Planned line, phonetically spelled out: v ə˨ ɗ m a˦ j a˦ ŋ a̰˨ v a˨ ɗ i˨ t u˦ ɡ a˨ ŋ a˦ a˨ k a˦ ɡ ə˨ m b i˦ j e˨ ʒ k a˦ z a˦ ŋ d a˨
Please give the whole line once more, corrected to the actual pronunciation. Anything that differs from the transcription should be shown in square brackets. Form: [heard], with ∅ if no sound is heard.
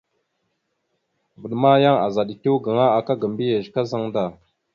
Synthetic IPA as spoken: v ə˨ ɗ m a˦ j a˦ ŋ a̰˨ [z] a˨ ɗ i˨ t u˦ ɡ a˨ ŋ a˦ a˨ k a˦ ɡ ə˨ m b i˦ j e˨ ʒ k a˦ z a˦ ŋ d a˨